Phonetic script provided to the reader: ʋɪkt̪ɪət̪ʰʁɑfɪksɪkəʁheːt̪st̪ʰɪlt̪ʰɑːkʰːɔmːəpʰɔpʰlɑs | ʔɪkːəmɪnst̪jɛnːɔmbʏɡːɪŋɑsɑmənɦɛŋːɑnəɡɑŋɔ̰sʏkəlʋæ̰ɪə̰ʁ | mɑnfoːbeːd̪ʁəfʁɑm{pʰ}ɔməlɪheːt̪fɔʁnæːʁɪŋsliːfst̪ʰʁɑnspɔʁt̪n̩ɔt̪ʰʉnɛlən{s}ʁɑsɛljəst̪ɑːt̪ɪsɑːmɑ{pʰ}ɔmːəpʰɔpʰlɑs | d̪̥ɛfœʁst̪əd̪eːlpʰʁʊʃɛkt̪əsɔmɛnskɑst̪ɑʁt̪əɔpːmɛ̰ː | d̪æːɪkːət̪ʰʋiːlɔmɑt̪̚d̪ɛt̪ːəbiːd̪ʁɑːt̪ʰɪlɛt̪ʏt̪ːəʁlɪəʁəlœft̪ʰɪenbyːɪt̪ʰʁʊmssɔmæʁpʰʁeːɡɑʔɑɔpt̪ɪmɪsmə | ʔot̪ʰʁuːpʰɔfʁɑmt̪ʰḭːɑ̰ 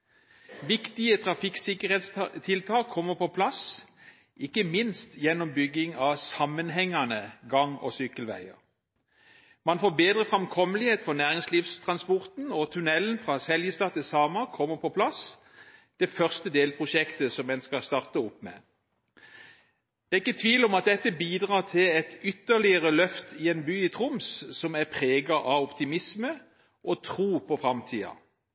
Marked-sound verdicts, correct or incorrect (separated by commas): incorrect, incorrect, incorrect